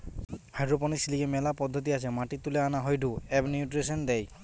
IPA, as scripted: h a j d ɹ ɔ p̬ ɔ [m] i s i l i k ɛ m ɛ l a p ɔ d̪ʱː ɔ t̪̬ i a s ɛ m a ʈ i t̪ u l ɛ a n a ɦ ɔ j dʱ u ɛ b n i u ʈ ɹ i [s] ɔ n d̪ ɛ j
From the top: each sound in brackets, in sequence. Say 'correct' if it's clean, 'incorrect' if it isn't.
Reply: incorrect, correct

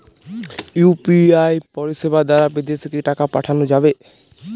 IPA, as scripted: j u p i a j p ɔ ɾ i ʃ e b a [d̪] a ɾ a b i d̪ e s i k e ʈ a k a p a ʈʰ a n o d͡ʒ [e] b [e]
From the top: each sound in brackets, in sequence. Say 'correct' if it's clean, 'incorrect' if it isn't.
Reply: correct, incorrect, correct

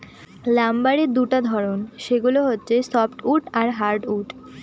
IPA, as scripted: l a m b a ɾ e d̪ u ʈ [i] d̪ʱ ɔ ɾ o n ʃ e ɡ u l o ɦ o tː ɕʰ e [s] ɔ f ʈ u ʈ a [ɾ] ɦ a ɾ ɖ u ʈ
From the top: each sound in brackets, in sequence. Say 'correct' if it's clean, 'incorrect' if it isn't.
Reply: incorrect, correct, correct

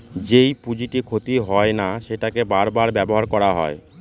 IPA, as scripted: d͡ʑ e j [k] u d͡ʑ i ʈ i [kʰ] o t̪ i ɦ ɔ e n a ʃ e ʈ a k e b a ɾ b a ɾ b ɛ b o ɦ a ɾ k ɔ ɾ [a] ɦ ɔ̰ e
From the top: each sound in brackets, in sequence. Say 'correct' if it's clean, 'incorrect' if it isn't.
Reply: incorrect, correct, correct

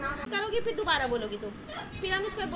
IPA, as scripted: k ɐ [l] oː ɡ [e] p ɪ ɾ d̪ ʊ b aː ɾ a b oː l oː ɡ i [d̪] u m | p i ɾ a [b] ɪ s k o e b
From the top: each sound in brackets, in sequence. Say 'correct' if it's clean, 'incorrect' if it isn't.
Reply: incorrect, incorrect, incorrect, incorrect

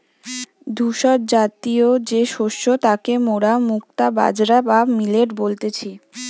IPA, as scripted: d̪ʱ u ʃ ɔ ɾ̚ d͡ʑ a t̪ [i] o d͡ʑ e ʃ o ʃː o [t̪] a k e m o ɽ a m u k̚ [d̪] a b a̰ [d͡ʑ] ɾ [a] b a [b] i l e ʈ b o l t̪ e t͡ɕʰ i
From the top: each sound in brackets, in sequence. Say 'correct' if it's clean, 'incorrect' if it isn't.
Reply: correct, correct, incorrect, correct, correct, incorrect

